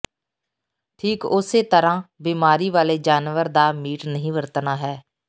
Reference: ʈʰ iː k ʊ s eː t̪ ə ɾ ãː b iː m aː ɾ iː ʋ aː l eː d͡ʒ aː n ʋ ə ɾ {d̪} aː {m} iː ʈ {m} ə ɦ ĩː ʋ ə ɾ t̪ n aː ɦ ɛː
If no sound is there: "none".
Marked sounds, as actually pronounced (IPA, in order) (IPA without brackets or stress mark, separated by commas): d̪, m, n